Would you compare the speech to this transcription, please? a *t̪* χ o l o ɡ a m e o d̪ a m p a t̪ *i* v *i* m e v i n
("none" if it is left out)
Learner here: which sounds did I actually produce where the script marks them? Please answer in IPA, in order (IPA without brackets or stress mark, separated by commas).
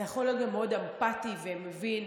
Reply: none, i, e